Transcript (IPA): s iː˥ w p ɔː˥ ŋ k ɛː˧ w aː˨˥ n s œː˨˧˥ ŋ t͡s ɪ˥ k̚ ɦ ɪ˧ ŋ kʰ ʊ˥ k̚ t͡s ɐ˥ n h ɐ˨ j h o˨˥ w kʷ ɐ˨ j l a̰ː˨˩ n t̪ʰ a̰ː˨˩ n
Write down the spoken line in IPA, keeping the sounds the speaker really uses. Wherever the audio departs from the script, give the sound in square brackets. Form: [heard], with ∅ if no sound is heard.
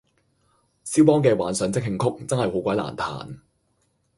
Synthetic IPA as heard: s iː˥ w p ɔː˥ ŋ k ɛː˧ w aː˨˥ n s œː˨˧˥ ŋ t͡s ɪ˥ k̚ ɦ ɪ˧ ŋ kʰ ʊ˥ k̚ t͡s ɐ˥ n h ɐ˨ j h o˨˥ w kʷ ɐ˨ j l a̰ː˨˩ n t̪ʰ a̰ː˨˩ n